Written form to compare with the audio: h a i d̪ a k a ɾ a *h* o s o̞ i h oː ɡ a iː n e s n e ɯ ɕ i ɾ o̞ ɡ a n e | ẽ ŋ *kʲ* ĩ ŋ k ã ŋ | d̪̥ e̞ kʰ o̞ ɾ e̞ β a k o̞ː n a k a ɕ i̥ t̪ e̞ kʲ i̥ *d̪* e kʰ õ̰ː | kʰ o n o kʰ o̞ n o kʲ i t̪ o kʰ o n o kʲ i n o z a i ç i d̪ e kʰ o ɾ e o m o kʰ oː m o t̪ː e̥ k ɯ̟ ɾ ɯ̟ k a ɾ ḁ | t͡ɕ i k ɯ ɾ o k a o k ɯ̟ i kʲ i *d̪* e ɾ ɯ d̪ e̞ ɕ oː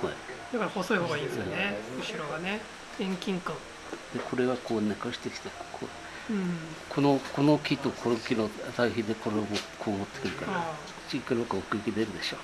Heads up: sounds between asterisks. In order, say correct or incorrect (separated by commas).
correct, correct, incorrect, correct